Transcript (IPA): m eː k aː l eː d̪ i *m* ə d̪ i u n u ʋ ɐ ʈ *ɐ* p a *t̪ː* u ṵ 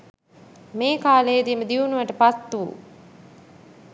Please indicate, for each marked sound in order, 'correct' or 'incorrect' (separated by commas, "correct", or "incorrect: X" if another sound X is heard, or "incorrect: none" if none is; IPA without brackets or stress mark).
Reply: correct, incorrect: ə, correct